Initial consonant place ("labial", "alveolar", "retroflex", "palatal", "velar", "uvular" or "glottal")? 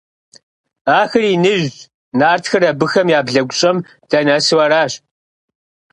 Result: velar